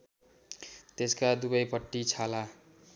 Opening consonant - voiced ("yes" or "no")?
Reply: no